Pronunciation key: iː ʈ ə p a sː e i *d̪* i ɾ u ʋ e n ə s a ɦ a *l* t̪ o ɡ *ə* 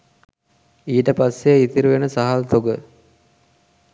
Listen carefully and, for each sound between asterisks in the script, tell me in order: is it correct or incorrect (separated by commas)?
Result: incorrect, correct, correct